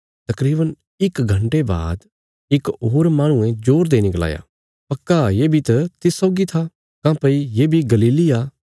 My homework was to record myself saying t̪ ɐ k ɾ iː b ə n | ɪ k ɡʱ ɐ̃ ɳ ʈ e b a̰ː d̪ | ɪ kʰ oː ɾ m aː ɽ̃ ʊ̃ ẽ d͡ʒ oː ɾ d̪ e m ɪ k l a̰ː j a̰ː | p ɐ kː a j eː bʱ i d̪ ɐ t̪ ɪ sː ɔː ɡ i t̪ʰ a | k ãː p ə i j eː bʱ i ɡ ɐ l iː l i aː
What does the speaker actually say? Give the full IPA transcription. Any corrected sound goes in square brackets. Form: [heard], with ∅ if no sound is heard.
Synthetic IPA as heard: t̪ ɐ k ɾ iː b ə n | ɪ k ɡʱ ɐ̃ ɳ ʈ e b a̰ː d̪ | ɪ [k] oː ɾ m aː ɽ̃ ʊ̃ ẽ d͡ʒ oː ɾ d̪ e [n] ɪ k l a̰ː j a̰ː | p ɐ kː a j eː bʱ i [t̪] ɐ t̪ ɪ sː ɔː ɡ i t̪ʰ a | k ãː p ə i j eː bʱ i ɡ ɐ l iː l i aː